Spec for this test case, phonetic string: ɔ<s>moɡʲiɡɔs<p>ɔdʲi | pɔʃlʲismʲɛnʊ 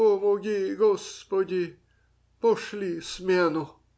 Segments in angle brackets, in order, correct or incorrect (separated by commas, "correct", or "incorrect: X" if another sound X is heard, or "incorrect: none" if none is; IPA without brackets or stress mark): incorrect: none, correct